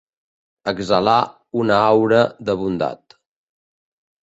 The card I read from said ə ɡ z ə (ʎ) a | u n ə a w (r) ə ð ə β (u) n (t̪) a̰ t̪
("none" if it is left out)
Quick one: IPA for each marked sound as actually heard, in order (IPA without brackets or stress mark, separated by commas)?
l, ɾ, u, d̪